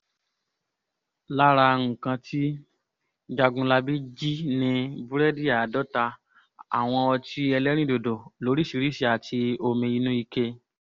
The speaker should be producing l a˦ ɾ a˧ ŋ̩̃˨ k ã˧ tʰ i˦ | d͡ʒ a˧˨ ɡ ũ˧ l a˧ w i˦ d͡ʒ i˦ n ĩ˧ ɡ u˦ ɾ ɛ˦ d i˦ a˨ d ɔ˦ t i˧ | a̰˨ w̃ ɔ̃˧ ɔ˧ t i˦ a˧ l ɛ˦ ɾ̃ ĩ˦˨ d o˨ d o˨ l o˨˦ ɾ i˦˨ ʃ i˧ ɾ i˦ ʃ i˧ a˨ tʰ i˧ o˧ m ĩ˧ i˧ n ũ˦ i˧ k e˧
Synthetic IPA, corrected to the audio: l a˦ ɾ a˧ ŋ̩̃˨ k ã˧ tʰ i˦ | d͡ʒ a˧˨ ɡ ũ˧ l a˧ b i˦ d͡ʒ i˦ n ĩ˧ b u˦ ɾ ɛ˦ d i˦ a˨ d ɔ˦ t a˧ | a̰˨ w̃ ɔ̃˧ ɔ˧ t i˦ ɛ˧ l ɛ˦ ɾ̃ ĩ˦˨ d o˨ d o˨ l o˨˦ ɾ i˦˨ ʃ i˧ ɾ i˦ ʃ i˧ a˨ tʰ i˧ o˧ m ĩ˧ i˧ n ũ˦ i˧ k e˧

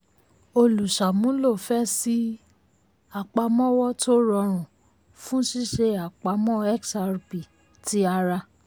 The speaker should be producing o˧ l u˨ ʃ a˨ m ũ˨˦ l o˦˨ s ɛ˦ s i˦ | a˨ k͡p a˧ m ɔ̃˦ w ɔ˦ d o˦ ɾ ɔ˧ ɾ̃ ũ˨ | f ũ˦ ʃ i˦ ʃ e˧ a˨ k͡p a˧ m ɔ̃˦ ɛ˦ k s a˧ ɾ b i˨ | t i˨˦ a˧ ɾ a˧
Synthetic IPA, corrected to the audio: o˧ l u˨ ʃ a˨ m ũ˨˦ l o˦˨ f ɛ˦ s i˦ | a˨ k͡p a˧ m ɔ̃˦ w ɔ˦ t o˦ ɾ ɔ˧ ɾ̃ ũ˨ | f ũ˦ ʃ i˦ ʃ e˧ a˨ k͡p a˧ m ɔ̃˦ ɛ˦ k s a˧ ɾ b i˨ | t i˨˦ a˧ ɾ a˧

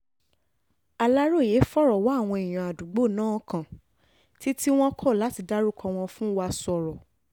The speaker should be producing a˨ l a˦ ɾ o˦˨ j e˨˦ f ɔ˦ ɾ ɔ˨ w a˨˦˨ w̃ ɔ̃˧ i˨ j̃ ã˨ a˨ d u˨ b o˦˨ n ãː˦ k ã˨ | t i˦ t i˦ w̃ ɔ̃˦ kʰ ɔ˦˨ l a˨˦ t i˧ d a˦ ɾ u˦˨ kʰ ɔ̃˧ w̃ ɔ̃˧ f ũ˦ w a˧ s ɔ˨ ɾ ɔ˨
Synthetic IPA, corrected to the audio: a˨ l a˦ ɾ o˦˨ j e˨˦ f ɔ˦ ɾ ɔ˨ w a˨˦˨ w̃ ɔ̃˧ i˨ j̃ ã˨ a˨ d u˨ ɡ͡b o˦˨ n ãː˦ k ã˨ | t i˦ t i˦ w̃ ɔ̃˦ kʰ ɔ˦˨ l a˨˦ t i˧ d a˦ ɾ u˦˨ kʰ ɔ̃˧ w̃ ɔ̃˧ f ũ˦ w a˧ s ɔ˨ ɾ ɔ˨

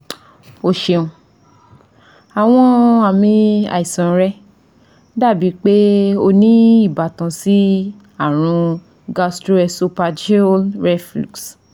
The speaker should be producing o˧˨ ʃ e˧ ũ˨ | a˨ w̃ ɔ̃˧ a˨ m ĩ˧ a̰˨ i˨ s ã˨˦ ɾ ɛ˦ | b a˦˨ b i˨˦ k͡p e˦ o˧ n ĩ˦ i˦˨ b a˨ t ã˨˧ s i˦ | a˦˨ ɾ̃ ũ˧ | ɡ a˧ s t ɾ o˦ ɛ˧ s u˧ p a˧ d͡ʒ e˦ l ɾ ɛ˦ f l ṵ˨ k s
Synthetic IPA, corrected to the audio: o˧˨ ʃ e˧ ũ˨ | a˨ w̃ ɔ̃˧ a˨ m ĩ˧ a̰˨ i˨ s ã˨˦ ɾ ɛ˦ | d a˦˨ b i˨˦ k͡p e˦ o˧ n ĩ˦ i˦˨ b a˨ t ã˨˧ s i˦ | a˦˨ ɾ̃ ũ˧ | ɡ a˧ s t ɾ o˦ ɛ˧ s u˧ p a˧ d͡ʒ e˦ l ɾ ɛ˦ f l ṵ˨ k s

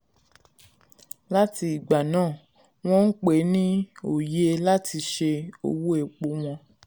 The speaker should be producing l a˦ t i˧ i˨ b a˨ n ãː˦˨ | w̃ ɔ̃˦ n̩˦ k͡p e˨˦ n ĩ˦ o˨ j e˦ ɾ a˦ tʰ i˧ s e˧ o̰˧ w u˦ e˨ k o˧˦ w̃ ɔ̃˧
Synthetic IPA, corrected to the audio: l a˦ t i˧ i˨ ɡ͡b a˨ n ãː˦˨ | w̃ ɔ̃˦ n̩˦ k͡p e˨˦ n ĩ˦ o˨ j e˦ l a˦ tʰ i˧ ʃ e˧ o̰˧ w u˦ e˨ k͡p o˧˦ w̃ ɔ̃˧

